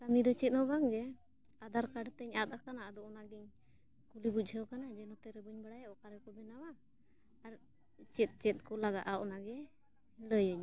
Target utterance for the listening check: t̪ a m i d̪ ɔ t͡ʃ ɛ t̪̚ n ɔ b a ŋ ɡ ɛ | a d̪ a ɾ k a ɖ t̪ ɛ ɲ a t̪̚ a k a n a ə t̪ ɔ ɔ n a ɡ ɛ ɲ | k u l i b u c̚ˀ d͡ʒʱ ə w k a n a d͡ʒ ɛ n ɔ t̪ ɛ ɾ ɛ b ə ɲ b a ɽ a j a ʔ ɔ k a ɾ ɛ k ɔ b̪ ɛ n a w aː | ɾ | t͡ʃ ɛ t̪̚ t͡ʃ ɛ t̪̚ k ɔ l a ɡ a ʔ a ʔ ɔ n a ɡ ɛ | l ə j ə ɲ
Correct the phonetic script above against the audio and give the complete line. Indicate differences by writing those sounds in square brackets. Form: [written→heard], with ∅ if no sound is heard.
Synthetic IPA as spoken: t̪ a m i d̪ ɔ t͡ʃ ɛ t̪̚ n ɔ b a ŋ ɡ ɛ | a d̪ a ɾ k a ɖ t̪ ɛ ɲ a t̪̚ a k a n a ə [t̪→d̪] ɔ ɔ n a ɡ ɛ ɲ | k u l i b u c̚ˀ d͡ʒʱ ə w k a n a d͡ʒ ɛ n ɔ t̪ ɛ ɾ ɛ b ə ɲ b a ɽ a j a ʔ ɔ k a ɾ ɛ k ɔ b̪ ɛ n a w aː | ɾ | t͡ʃ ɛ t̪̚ t͡ʃ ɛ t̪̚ k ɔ l a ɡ a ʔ a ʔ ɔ n a ɡ ɛ | l ə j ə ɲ